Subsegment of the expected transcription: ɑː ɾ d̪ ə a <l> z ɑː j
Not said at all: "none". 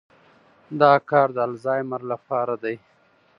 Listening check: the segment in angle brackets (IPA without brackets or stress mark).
l